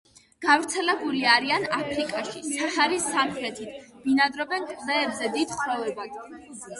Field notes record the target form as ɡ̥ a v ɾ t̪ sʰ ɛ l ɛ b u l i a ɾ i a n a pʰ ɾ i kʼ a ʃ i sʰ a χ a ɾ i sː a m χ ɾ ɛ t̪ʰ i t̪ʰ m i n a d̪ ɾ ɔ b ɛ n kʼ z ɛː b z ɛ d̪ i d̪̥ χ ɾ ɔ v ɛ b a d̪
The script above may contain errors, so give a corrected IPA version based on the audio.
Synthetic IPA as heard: ɡ̥ a v ɾ t̪ sʰ ɛ l ɛ b u l i a ɾ i a n a pʰ ɾ i kʼ a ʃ i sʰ a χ a ɾ i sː a m χ ɾ ɛ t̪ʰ i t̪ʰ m i n a d̪ ɾ ɔ b ɛ n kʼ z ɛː b z ɛ d̪ i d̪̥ χ ɾ ɔ v ɛ b a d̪